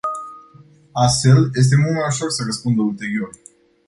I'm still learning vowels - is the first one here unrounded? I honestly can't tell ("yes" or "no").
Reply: yes